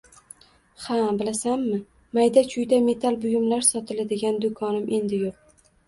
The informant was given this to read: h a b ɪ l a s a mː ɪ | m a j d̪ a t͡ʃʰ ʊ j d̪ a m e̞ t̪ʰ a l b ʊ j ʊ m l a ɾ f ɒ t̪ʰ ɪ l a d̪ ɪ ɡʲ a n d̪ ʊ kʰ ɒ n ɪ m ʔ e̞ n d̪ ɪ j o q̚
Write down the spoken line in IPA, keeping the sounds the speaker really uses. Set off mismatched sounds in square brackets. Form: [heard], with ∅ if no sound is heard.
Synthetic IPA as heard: h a b ɪ l a s a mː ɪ | m a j d̪ a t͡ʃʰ ʊ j d̪ a m e̞ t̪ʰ a l b ʊ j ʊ m l a ɾ [s] ɒ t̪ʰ ɪ l a d̪ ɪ ɡʲ a n d̪ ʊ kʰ ɒ n ɪ m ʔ e̞ n d̪ ɪ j o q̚